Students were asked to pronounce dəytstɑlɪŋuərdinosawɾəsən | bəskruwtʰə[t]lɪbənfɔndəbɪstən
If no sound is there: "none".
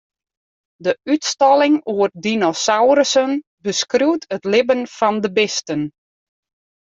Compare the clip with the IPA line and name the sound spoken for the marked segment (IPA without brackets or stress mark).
t